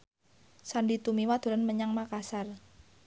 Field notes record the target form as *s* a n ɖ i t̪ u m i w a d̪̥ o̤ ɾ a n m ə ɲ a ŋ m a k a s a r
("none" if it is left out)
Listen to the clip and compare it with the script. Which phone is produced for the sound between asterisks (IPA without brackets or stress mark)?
s